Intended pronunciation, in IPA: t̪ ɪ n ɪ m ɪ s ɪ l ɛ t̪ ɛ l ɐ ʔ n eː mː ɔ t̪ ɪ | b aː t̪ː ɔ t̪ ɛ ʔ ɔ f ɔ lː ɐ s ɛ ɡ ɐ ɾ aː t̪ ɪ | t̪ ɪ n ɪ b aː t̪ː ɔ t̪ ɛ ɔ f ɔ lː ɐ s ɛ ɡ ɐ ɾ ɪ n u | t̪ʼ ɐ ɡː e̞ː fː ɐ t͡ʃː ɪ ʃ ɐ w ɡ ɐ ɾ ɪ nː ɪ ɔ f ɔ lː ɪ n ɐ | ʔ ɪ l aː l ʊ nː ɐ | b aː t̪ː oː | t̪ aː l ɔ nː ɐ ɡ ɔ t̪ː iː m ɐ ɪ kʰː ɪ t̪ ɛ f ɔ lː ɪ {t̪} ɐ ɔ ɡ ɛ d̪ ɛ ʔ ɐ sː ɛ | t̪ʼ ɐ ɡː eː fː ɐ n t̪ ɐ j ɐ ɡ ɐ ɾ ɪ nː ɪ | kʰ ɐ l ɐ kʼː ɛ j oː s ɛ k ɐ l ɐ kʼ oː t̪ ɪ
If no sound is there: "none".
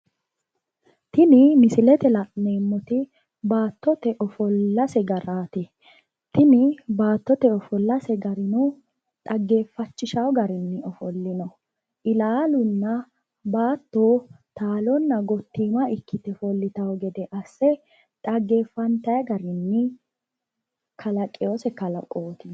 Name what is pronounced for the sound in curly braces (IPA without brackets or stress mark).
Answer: t̪